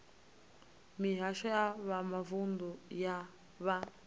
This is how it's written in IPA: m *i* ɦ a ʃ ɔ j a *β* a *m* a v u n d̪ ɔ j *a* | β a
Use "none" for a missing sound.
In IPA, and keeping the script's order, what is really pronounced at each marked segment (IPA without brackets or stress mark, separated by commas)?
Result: i, β, m, a